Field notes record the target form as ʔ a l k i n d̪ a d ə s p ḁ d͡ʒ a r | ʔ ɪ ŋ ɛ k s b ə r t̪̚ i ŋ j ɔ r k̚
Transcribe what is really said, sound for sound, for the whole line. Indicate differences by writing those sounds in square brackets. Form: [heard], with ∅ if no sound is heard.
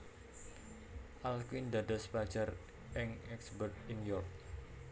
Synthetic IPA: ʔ a l k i n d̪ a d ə s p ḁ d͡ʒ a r | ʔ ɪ ŋ ɛ k s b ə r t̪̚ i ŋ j ɔ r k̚